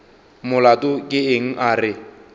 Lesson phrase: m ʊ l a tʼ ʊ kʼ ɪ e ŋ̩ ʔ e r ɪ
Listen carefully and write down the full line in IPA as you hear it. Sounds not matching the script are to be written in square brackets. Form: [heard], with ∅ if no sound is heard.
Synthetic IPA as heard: m ʊ l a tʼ ʊ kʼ ɪ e ŋ̩ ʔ [a] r ɪ